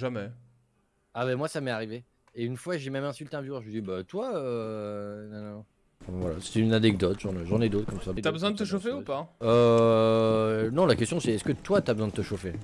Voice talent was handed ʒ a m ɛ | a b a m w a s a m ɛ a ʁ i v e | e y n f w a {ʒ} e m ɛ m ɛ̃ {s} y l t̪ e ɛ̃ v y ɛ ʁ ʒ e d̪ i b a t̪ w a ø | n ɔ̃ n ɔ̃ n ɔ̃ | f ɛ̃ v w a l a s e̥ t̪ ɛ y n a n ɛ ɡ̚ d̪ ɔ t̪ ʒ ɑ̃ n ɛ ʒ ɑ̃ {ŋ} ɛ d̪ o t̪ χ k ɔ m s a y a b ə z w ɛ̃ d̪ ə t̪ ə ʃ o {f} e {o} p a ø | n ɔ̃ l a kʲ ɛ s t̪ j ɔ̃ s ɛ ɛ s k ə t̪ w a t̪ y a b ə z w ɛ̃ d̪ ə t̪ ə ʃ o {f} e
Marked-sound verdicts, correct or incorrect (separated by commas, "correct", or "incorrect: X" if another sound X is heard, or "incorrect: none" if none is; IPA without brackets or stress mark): correct, correct, incorrect: n, correct, incorrect: u, correct